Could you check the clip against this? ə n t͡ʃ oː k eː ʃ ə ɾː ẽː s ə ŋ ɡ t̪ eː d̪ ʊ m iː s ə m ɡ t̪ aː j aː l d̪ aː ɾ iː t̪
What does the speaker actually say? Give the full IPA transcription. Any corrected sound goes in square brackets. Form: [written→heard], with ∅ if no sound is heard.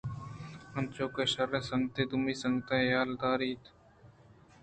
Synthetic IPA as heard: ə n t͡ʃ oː k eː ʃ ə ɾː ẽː s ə ŋ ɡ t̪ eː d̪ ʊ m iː s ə [m→ŋ] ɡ t̪ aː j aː l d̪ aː ɾ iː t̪